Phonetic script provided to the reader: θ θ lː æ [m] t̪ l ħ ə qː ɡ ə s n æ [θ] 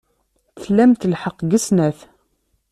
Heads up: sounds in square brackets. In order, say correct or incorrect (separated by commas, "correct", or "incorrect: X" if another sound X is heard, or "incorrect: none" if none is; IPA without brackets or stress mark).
correct, correct